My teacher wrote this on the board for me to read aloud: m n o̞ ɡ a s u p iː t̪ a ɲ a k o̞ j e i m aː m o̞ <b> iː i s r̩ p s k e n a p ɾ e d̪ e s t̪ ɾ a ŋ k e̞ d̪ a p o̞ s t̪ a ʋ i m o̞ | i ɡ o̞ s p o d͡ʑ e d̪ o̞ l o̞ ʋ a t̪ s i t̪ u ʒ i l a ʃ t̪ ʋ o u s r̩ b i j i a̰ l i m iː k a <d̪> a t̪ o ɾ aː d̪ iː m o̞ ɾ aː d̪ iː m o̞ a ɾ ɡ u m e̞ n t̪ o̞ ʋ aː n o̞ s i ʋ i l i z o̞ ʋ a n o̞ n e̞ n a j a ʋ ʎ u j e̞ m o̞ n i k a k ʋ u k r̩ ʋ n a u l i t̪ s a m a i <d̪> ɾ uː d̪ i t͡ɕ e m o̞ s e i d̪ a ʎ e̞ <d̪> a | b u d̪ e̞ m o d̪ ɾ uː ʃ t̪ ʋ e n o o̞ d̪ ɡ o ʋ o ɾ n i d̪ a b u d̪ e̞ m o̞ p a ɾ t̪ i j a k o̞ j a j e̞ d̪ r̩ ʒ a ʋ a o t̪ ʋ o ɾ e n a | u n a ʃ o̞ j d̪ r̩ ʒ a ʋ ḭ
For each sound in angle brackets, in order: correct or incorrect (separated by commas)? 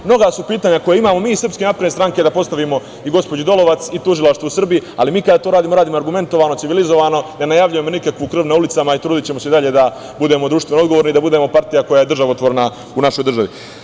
incorrect, correct, incorrect, correct